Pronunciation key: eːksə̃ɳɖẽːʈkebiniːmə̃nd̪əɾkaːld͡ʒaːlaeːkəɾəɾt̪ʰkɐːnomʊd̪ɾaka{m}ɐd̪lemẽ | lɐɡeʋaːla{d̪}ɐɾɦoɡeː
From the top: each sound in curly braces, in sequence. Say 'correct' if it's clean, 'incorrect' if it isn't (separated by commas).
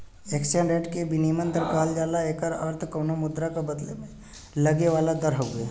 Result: incorrect, correct